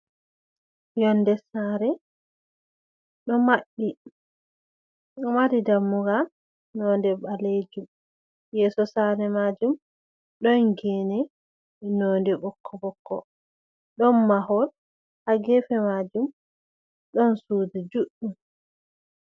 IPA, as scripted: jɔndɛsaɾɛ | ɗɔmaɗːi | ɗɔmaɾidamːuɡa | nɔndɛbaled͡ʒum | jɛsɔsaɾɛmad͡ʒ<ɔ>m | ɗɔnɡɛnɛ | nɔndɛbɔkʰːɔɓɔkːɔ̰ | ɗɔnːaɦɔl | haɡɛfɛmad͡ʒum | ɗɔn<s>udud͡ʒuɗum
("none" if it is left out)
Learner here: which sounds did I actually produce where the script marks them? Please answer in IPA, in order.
u, s

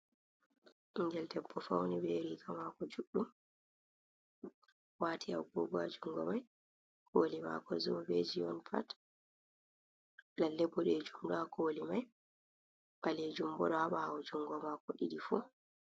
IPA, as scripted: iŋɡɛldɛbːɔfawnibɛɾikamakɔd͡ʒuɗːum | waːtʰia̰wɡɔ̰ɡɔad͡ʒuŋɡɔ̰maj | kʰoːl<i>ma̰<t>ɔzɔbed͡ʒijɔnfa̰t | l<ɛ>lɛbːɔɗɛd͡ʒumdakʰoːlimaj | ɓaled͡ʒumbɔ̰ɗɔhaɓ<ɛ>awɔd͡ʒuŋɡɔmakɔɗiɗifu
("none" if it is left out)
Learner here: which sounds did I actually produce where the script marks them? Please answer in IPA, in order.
i, k, a, a

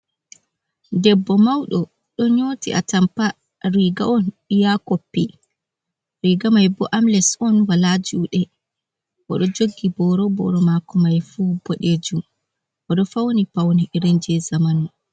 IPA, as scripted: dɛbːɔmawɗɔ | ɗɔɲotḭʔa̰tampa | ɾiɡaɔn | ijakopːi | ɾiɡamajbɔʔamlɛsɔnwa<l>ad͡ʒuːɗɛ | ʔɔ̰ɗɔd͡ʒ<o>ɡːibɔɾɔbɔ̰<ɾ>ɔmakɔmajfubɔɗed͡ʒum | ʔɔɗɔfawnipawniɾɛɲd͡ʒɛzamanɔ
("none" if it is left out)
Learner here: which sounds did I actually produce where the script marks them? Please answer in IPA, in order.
l, o, ɾ

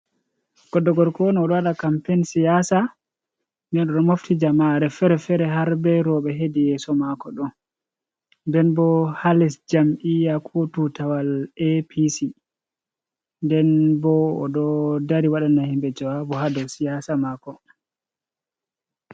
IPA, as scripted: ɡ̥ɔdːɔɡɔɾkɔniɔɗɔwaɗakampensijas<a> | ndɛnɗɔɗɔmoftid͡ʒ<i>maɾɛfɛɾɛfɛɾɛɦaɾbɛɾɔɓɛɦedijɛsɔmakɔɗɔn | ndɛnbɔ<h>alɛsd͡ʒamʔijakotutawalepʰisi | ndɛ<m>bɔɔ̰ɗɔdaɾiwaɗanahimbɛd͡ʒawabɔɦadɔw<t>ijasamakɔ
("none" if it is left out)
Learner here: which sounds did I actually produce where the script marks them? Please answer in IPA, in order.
a, a, h, n, s

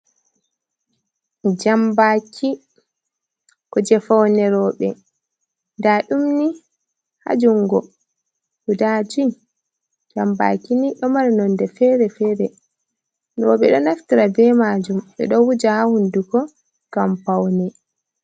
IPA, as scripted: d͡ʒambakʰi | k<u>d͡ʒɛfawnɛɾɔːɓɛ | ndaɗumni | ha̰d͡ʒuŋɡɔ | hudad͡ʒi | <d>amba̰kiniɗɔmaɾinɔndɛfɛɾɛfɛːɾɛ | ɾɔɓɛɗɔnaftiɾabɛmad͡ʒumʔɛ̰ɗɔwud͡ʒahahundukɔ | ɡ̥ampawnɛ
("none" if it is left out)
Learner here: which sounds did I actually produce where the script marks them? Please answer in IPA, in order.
ɔ, d͡ʒ

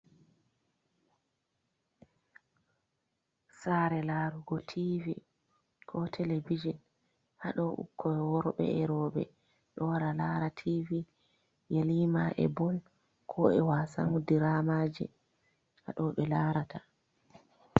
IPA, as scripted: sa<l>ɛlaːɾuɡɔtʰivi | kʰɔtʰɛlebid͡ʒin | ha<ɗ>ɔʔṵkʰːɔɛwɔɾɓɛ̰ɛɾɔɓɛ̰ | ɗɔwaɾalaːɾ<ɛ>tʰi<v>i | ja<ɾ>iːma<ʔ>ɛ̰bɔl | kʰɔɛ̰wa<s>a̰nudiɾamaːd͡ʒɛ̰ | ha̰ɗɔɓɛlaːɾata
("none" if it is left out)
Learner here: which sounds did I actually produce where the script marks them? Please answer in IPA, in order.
ɾ, ɗ, a, v, l, ʔ, s

